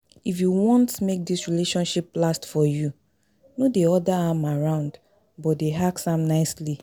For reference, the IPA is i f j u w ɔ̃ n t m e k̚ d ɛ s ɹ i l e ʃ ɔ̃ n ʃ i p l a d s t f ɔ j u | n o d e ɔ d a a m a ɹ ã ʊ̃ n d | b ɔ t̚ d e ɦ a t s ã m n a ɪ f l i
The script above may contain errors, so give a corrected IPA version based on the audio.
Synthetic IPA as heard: i f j u w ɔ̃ n t m e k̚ d i s ɹ i l e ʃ ɔ̃ n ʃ i p l a s t f ɔ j u | n o d e ɔ d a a m a ɹ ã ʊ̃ n d | b ɔ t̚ d e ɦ a k s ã m n a ɪ s l i

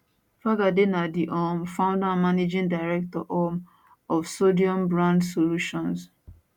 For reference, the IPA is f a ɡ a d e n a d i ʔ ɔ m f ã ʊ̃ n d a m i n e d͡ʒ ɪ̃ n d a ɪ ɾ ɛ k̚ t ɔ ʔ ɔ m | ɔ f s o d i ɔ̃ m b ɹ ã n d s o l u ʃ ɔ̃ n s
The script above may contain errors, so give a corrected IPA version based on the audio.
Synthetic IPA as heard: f a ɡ a d e n a d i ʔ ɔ m f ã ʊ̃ n d a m a n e d͡ʒ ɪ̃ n d a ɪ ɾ ɛ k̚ t ɔ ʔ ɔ m | ɔ f s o d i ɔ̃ m b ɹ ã n d s o l u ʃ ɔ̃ n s

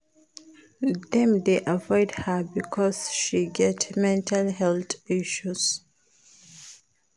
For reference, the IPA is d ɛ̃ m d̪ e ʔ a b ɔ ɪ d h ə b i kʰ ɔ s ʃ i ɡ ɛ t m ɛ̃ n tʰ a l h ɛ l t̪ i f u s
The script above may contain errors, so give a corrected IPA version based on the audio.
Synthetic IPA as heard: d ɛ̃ m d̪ e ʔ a v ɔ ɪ d h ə b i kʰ ɔ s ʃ i ɡ ɛ t m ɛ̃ n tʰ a l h ɛ l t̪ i ʃ u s

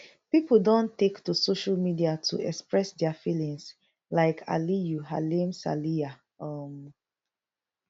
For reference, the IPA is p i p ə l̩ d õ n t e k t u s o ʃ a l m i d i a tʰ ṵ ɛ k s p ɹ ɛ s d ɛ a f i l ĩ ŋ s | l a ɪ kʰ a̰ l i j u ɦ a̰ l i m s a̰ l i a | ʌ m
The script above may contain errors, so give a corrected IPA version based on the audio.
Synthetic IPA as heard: p i p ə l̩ d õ n t e k t u s o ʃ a l m i d i a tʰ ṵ ɛ k s p ɹ ɛ s d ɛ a f i l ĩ ŋ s | l a ɪ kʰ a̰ l i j u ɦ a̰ l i m s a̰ l i a | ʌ m

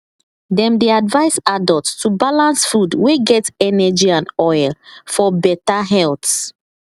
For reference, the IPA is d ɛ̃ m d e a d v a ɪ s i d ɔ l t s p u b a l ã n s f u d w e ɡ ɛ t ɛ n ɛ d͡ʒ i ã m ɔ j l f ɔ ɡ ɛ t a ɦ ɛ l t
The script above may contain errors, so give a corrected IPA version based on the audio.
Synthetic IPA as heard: d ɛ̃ m d e a d v a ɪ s a d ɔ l t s t u b a l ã n s f u d w e ɡ ɛ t ɛ n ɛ d͡ʒ i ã n ɔ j l f ɔ b ɛ t a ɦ ɛ l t

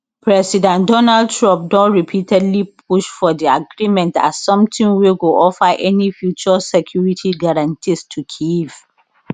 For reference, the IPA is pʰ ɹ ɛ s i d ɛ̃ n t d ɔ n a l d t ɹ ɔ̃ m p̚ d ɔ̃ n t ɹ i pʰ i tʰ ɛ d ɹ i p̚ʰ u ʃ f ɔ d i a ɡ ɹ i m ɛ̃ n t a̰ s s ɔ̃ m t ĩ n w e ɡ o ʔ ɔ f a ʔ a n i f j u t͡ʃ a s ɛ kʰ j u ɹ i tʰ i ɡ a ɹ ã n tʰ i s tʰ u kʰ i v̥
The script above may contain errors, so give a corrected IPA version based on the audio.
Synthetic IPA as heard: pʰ ɹ ɛ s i d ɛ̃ n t d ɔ n a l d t ɹ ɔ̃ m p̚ d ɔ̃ n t ɹ i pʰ i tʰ ɛ d l i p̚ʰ u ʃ f ɔ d i a ɡ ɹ i m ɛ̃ n t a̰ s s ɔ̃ m t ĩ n w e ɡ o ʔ ɔ f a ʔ ɛ n i f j u t͡ʃ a s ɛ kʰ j u ɹ i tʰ i ɡ a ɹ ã n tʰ i s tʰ u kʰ i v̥

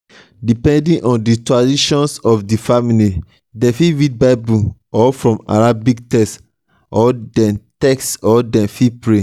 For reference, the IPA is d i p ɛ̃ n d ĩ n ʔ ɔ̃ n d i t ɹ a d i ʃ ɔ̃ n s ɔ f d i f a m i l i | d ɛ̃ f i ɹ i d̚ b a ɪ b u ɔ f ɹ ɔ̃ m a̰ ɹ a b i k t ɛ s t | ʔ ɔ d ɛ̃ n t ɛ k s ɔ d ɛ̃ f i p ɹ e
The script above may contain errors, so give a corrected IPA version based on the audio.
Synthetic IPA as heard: d i p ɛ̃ n d ĩ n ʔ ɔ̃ n d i t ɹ a d i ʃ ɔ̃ n s ɔ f d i f a m i l i | d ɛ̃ f i ɹ i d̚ b a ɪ b u ɔ f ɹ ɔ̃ m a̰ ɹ a b i k t ɛ s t | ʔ ɔ d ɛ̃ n t ɛ k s ɔ d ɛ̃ f i p ɹ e

